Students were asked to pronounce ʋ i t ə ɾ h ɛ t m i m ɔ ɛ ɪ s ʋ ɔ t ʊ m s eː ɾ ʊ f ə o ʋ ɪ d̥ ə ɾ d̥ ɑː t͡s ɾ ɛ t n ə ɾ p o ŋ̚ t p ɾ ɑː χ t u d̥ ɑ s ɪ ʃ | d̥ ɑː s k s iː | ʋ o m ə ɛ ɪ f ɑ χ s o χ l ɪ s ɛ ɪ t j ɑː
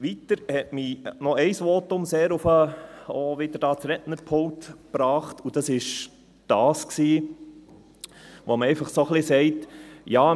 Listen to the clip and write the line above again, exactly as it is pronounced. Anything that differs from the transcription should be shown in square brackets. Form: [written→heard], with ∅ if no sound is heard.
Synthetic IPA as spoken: ʋ i t ə ɾ h ɛ t m i [m→n] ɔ ɛ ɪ s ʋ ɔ t ʊ m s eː ɾ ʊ f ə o ʋ ɪ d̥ ə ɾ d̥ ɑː t͡s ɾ ɛ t n ə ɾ [p→pʰ] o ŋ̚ t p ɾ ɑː χ t u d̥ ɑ s ɪ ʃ | d̥ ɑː s k s iː | ʋ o m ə ɛ ɪ f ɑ χ s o χ l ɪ s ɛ ɪ t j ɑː